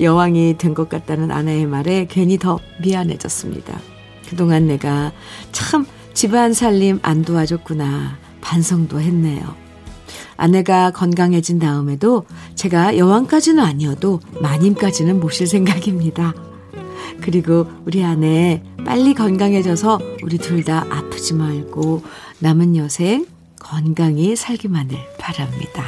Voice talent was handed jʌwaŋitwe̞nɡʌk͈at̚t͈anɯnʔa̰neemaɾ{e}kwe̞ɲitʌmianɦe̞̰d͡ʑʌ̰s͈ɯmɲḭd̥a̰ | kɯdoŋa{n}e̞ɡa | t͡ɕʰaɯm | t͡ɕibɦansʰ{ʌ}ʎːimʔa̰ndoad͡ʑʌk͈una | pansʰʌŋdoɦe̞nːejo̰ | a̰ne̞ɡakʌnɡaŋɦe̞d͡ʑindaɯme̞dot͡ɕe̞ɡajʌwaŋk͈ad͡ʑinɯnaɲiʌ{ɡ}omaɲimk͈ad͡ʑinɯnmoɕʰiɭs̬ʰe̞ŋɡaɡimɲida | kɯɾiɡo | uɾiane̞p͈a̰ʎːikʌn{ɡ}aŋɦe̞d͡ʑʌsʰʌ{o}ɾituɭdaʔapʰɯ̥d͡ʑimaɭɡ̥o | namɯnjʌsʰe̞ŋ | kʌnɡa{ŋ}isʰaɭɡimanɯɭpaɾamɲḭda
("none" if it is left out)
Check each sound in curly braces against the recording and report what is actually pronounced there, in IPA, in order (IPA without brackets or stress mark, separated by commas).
e, nː, a, d, ɡ, u, ŋ